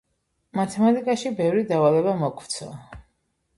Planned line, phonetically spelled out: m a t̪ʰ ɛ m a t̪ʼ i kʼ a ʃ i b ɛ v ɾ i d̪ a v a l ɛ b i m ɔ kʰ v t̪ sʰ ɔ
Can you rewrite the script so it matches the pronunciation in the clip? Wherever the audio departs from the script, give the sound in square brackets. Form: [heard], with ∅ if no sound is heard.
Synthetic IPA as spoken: m a t̪ʰ ɛ m a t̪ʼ i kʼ a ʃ i b ɛ v ɾ i d̪ a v a l ɛ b [a] m ɔ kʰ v t̪ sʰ ɔ